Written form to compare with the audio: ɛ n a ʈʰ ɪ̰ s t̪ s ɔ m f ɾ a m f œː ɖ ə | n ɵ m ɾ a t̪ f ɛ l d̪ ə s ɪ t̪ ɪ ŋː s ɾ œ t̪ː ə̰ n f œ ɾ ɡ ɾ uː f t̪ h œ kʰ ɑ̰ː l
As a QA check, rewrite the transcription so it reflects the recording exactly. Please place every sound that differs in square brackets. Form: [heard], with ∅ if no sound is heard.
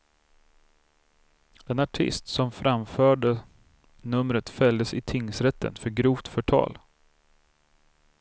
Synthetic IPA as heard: ɛ n a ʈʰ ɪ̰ s t̪ s ɔ m f ɾ a m f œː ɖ ə | n ɵ m ɾ [ə] t̪ f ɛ l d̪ ə s ɪ [t̪ʰ] ɪ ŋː s ɾ [ɛ] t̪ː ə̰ n f œ ɾ ɡ ɾ uː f t̪ [f] œ [ʈʰ] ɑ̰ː l